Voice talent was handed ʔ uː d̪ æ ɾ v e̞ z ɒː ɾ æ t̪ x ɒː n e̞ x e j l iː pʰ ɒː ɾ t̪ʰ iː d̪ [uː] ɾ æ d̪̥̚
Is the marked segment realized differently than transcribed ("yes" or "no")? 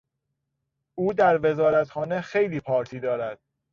yes